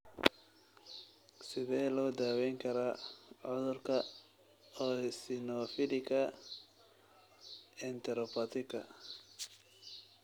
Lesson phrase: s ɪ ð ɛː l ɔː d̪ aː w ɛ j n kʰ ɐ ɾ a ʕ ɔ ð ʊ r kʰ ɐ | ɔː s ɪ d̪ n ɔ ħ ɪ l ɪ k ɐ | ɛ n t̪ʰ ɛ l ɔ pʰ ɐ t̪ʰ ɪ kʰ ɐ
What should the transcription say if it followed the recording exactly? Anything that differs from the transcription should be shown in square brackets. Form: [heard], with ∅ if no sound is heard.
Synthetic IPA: s ɪ ð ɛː l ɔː d̪ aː w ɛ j [ŋ] kʰ ɐ ɾ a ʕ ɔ ð ʊ r kʰ ɐ | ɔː s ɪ [∅] n ɔ [f] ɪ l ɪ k ɐ | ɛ n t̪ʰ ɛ [ɾ] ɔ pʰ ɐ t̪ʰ ɪ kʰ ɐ